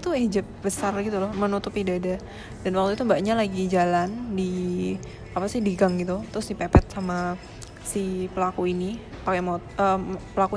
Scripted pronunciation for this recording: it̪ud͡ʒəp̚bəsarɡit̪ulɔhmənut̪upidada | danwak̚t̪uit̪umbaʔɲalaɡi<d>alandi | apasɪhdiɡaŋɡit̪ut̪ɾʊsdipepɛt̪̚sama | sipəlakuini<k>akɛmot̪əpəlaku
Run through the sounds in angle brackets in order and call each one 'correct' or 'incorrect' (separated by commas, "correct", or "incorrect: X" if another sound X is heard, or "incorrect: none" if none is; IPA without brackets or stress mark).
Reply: incorrect: d͡ʒ, incorrect: p